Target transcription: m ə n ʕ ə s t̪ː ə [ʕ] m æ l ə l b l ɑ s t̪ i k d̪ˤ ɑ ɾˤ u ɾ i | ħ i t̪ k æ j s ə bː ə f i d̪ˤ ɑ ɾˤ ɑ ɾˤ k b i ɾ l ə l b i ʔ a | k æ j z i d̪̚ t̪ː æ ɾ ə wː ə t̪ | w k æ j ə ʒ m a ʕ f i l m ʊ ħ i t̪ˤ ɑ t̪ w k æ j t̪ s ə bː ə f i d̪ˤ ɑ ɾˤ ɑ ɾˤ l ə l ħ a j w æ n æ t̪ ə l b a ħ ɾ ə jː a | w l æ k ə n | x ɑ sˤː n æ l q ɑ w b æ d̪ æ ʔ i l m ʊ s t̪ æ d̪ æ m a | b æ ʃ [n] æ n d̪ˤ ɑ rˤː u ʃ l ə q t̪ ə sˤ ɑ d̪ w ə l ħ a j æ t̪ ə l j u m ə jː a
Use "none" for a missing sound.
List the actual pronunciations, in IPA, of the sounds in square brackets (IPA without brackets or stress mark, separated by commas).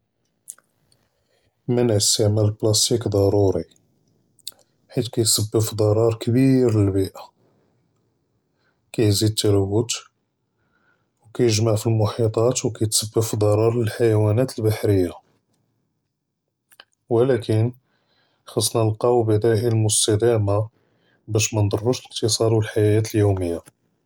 ʕ, m